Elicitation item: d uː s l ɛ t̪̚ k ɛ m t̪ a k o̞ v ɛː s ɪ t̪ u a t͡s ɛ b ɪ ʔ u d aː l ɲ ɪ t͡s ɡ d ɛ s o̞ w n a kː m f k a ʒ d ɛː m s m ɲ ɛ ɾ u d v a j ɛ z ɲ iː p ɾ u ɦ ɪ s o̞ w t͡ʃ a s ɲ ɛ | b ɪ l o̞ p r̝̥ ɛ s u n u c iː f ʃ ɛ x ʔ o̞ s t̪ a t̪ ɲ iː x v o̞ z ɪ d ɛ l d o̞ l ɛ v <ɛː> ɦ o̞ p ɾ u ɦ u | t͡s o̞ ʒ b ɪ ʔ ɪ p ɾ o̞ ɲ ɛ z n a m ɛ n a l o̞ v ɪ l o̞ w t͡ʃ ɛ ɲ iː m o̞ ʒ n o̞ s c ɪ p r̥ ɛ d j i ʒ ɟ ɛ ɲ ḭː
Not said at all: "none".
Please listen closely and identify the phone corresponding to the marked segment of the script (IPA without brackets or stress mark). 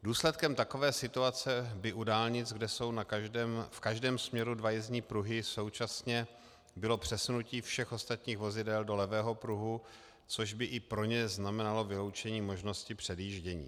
ɛː